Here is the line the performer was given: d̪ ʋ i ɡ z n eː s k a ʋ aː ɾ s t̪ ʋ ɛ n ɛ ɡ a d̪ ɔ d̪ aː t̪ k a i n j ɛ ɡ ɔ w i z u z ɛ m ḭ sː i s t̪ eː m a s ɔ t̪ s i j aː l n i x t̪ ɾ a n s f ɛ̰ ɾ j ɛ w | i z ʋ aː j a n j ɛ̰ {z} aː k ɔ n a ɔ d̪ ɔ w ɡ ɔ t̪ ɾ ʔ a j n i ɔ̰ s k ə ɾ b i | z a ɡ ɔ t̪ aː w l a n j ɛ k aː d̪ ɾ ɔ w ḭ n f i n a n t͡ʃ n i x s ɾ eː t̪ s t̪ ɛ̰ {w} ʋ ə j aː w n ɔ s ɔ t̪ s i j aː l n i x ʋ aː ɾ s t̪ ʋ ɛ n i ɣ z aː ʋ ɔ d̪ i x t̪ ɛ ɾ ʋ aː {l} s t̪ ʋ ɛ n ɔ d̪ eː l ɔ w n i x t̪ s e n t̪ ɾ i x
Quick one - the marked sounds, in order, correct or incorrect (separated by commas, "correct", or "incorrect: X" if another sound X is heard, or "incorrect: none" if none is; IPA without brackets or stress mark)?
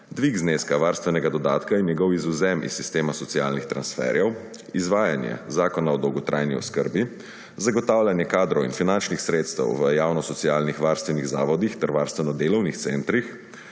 correct, correct, incorrect: ɾ